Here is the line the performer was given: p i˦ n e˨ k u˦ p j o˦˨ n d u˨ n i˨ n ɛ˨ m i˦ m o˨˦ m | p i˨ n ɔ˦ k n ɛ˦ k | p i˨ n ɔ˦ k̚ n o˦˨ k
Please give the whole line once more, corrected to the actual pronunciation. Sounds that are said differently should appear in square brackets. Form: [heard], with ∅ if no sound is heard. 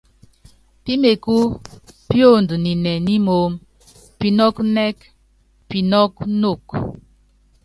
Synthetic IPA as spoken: p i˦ [m] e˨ k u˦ p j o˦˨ n d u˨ n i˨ n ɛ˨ [n] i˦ m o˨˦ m | p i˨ n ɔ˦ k n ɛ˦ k | p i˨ n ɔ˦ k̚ n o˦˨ k